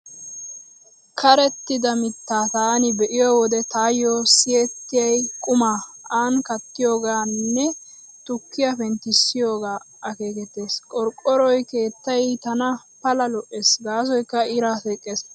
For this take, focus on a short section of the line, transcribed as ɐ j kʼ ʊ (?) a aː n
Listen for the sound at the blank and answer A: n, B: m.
B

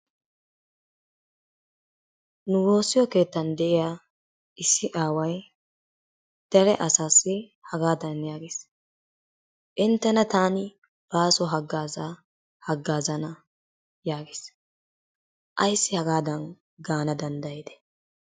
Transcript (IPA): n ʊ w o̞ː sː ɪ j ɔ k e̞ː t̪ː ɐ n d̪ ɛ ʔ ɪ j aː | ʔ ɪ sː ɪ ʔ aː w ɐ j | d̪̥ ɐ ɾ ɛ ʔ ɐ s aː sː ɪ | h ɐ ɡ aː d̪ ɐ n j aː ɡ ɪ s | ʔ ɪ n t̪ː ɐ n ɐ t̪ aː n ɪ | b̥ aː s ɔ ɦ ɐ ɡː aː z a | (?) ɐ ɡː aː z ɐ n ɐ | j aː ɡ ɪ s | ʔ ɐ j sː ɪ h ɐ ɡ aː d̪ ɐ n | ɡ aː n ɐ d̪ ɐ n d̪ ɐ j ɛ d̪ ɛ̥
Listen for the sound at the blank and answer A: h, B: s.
A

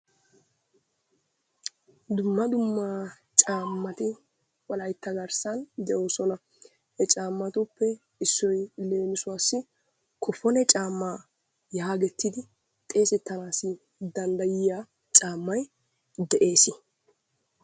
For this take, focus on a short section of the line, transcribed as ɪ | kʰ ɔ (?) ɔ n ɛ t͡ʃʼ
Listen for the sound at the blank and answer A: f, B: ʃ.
A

